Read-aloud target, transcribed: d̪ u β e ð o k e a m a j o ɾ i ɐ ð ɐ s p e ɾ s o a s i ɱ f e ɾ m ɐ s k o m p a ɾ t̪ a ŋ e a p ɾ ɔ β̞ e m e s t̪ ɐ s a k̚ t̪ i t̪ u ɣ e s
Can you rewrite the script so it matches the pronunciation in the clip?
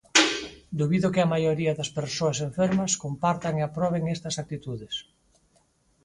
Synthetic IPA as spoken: d̪ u β i ð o k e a m a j o ɾ i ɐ ð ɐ s p e ɾ s o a s e ɱ f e ɾ m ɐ s k o m p a ɾ t̪ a ŋ e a p ɾ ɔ β̞ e ŋ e s t̪ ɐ s a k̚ t̪ i t̪ u ð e s